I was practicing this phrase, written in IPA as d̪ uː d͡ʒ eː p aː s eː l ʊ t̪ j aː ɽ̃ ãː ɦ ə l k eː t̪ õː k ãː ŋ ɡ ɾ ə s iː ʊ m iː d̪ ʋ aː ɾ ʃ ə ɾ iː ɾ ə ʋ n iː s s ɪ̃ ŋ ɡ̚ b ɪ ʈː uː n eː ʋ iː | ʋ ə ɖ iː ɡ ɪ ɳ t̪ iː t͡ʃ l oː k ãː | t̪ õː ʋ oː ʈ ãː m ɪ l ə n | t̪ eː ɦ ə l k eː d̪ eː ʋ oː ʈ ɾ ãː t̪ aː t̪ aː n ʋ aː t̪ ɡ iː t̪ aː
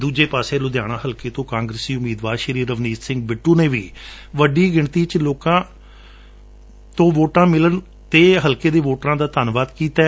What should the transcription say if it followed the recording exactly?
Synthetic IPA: d̪ uː d͡ʒ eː p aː s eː l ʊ d̪ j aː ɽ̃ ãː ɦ ə l k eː t̪ õː k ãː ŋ ɡ ɾ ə s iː ʊ m iː d̪ ʋ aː ɾ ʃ ə ɾ iː ɾ ə ʋ n iː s s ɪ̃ ŋ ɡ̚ b ɪ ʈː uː n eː ʋ iː | ʋ ə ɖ iː ɡ ɪ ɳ t̪ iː t͡ʃ l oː k ãː | t̪ õː ʋ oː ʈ ãː m ɪ l ə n | t̪ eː ɦ ə l k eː d̪ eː ʋ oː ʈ ɾ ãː d̪ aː t̪ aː n ʋ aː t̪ k iː t̪ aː

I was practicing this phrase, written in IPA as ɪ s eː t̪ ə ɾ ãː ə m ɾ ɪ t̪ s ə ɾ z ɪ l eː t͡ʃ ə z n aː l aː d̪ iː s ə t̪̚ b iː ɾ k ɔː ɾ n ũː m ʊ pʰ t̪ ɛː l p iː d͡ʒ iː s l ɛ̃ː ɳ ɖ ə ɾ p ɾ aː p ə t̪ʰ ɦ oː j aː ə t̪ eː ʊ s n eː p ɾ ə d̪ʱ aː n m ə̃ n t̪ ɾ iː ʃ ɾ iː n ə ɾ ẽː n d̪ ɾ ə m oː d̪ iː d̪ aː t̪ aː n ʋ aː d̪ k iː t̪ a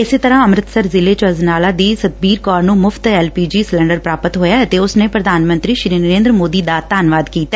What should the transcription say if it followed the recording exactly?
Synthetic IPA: ɪ s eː t̪ ə ɾ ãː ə m ɾ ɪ t̪ s ə ɾ z ɪ l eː t͡ʃ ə z n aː l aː d̪ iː s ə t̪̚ b iː ɾ k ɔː ɾ n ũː m ʊ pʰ t̪ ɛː l p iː d͡ʒ iː s l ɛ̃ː ɳ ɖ ə ɾ p ɾ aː p ə t̪ ɦ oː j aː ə t̪ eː ʊ s n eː p ɾ ə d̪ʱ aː n m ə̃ n t̪ ɾ iː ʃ ɾ iː n ə ɾ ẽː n d̪ ɾ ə m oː d̪ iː d̪ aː t̪ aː n ʋ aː d̪ k iː t̪ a

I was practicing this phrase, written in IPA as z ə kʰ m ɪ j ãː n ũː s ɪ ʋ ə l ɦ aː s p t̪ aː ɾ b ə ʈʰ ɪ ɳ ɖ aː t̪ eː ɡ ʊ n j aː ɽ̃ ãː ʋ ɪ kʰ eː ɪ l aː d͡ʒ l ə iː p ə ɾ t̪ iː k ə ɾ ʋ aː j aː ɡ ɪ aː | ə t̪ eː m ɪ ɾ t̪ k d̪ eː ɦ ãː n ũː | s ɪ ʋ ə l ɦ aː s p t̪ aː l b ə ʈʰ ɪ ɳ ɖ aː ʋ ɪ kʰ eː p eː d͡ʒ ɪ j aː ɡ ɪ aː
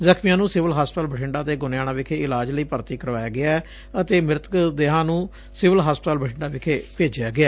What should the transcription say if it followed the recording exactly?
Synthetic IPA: z ə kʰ m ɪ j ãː n ũː s ɪ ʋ ə l ɦ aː s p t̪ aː l b ə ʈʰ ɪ ɳ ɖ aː t̪ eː ɡ ʊ n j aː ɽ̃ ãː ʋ ɪ kʰ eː ɪ l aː d͡ʒ l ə iː p ə ɾ t̪ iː k ə ɾ ʋ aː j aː ɡ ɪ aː | ə t̪ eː m ɪ ɾ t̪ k d̪ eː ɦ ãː n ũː | s ɪ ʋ ə l ɦ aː s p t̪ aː l b ə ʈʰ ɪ ɳ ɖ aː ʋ ɪ kʰ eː p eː d͡ʒ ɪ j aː ɡ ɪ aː

